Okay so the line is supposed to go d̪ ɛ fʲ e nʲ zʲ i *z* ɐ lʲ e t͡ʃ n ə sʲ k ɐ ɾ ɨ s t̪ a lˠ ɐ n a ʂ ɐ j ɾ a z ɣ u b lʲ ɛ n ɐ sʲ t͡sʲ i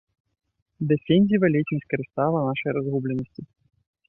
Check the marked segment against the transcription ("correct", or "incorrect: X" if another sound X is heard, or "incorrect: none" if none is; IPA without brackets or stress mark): incorrect: v